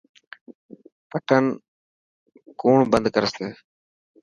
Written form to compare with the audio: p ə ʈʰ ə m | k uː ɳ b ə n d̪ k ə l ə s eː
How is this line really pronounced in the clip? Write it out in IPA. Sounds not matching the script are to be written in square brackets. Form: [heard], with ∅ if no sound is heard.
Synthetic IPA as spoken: p ə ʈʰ ə [n] | k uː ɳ b ə n d̪ k ə [ɾ] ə s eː